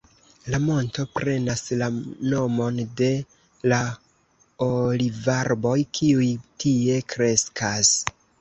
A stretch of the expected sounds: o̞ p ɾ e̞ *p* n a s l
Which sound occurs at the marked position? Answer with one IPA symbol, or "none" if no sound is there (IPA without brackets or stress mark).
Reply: none